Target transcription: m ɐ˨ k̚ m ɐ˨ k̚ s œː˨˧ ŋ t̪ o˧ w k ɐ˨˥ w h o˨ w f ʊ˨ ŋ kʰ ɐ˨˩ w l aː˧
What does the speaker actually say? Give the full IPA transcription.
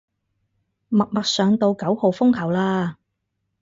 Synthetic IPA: m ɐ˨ k̚ m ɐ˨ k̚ s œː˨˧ ŋ t̪ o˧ w k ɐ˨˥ w h o˨ w f ʊ˥ ŋ kʰ ɐ˨˩ w l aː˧

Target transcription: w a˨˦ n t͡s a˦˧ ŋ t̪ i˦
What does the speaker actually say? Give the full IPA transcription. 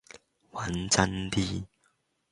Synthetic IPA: w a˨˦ n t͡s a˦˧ n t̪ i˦

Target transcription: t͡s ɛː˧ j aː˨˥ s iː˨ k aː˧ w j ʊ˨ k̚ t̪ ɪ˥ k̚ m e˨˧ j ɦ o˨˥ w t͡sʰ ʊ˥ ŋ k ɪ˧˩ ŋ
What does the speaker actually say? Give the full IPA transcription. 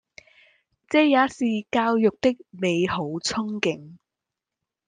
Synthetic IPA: t͡s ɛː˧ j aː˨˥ s iː˨ k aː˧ w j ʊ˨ k̚ t̪ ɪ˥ k̚ m e˨˧ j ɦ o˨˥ w t͡sʰ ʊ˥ ŋ k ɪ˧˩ ŋ

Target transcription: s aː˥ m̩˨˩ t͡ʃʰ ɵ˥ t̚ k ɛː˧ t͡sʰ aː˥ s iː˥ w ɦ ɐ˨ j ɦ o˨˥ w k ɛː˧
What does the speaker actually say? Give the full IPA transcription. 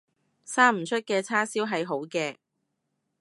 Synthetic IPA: s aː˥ m̩˨˩ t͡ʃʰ ɵ˥ t̚ k ɛː˧ t͡sʰ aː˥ s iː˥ w ɦ ɐ˨ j ɦ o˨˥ w k ɛː˧

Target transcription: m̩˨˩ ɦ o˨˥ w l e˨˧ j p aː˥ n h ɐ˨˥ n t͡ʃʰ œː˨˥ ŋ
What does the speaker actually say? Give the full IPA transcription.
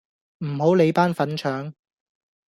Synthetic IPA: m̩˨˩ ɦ o˨˥ w l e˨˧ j p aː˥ n f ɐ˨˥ n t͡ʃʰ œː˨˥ ŋ

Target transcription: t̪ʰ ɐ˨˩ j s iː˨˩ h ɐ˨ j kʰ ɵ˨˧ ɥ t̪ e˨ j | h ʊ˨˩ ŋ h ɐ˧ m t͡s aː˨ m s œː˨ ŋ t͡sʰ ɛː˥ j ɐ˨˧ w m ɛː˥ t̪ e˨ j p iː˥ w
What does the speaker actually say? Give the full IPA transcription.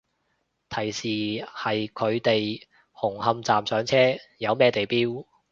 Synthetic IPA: t̪ʰ ɐ˨˩ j s iː˨˩ h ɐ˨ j kʰ ɵ˨˧ ɥ t̪ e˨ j | h ʊ˨˩ ŋ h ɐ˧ m t͡s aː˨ m s œː˨˥ ŋ t͡sʰ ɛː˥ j ɐ˨˧ w m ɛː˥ t̪ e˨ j p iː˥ w

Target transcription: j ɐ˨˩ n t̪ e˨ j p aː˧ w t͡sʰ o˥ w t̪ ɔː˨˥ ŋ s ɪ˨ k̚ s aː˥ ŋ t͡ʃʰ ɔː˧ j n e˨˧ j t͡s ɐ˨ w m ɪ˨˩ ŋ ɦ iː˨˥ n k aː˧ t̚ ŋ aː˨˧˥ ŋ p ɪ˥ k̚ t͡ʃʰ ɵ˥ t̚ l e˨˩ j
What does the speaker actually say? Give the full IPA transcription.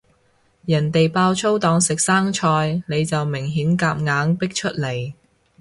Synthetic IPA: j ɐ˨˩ n t̪ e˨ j p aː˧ w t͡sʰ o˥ w t̪ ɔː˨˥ ŋ s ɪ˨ k̚ s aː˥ ŋ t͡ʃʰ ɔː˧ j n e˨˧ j t͡s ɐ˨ w m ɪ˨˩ ŋ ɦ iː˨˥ n k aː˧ p̚ ŋ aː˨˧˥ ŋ p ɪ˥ k̚ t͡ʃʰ ɵ˥ t̚ l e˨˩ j

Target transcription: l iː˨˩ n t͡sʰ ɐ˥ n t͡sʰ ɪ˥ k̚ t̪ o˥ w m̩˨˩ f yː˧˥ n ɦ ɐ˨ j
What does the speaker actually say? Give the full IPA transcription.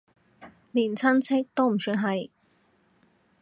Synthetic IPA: l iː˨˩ n t͡sʰ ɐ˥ n t͡sʰ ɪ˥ k̚ t̪ o˥ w m̩˨˩ s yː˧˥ n ɦ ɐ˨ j

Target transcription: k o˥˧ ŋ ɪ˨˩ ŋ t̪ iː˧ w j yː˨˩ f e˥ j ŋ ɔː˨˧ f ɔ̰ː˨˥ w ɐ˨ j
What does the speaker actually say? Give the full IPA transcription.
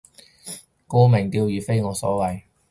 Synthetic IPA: k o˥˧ m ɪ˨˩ ŋ t̪ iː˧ w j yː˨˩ f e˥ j ŋ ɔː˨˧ s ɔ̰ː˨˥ w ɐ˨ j

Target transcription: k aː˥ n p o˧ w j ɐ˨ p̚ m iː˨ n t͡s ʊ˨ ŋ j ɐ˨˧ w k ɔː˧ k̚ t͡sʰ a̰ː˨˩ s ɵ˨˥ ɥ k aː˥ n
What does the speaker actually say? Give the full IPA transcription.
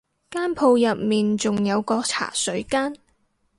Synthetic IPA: k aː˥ n pʰ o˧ w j ɐ˨ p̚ m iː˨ n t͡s ʊ˨ ŋ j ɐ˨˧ w k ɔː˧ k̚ t͡sʰ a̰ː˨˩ s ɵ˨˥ ɥ k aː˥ n

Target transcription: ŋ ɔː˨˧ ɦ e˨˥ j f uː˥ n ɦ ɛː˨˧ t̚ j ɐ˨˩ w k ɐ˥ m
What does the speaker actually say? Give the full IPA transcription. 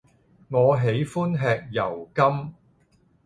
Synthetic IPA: ŋ ɔː˨˧ ɦ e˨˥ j f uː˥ n ɦ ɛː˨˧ k̚ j ɐ˨˩ w k ɐ˥ m

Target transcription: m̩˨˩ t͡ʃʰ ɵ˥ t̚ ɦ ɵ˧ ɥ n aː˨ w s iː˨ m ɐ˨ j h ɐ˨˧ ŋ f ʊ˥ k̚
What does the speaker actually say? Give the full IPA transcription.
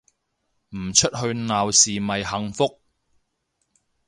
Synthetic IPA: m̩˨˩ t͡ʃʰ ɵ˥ t̚ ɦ ɵ˧ ɥ n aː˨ w s iː˨ m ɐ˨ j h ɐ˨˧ ŋ f ʊ˥ k̚

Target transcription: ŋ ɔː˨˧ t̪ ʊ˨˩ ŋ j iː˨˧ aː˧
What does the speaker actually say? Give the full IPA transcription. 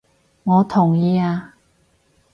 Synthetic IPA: ŋ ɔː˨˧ t̪ʰ ʊ˨˩ ŋ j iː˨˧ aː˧

